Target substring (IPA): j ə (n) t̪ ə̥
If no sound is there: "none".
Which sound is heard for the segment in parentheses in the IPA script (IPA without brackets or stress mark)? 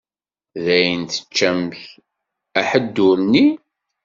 n